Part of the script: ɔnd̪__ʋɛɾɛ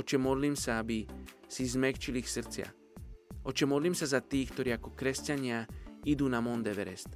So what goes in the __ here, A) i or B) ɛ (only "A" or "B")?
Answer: B